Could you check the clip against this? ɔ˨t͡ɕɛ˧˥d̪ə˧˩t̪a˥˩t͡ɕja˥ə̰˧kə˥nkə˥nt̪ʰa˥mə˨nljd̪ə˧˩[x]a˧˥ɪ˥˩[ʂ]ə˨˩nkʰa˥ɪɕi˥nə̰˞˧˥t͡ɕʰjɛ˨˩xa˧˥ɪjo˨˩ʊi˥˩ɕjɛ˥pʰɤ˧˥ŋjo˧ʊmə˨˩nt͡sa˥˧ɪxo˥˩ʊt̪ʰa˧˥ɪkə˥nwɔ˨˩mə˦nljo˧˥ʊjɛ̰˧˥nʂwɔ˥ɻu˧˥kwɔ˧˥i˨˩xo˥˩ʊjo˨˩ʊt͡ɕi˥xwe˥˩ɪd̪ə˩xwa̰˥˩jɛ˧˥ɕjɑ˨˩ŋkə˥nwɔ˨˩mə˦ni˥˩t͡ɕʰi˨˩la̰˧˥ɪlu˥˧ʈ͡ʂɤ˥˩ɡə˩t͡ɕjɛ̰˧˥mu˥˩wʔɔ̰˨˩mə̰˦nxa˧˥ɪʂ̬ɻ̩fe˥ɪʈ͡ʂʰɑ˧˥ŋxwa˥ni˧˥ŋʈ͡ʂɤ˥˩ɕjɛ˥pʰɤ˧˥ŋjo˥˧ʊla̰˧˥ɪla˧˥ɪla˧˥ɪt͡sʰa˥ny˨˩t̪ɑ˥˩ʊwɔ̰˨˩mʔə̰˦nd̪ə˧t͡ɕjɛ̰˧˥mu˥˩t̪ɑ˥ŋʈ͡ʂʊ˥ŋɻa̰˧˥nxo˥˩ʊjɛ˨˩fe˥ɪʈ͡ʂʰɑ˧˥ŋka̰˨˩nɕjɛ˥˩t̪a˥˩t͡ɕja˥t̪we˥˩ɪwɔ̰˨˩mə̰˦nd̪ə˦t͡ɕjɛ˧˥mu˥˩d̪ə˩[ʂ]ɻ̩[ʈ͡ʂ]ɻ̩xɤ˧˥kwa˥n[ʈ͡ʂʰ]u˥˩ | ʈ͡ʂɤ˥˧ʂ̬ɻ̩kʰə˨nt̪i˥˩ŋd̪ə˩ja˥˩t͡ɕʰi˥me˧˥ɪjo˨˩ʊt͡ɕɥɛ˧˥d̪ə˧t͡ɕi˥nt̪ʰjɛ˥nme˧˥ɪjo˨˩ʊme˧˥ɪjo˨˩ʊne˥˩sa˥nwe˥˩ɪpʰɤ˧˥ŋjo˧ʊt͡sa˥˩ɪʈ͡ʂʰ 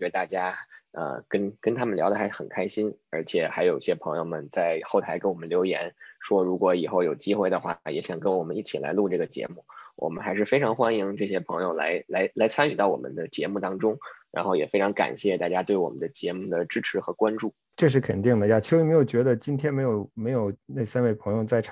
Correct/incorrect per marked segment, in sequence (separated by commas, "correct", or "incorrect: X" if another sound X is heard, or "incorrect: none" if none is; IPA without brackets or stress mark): correct, incorrect: x, incorrect: ʈ͡ʂ, incorrect: ʈ͡ʂʰ, incorrect: ʈ͡ʂ